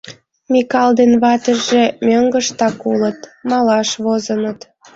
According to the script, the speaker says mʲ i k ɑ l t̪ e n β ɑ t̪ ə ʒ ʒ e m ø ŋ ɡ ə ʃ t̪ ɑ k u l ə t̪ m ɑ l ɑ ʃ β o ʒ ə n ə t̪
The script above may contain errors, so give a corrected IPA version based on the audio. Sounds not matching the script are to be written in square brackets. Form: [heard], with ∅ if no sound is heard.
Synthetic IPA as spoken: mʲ i k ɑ l [d̪] e n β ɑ t̪ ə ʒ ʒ e m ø ŋ ɡ ə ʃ t̪ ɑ k u l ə t̪ m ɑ l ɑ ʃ β o [z] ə n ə t̪